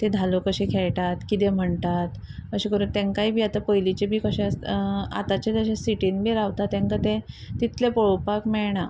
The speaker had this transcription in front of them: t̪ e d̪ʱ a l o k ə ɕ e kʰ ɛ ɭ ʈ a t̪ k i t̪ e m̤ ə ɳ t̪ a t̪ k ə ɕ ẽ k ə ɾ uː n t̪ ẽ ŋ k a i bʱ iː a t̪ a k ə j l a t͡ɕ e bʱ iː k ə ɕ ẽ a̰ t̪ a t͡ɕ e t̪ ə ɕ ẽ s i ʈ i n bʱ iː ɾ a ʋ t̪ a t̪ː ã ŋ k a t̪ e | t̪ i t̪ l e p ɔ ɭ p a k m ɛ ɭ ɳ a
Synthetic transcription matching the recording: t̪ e d̪ʱ a l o k ə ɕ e kʰ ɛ ɭ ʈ a t̪ k i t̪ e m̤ ə ɳ t̪ a t̪ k ə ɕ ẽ k ə ɾ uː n t̪ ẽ ŋ k a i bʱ iː a t̪ a p ə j l i t͡ɕ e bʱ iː k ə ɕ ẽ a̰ t̪ a t͡ɕ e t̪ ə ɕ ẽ s i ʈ i n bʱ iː ɾ a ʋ t̪ a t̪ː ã ŋ k a t̪ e | t̪ i t̪ l e p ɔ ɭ p a k m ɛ ɭ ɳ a